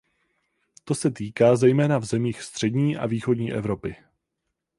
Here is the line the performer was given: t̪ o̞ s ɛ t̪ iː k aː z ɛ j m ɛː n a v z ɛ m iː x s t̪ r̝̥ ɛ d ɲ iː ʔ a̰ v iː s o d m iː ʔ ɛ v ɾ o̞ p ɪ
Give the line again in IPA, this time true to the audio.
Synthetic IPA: t̪ o̞ s ɛ t̪ iː k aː z ɛ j m ɛː n a v z ɛ m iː x s t̪ r̝̥ ɛ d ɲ iː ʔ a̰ v iː x o d ɲ iː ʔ ɛ v ɾ o̞ p ɪ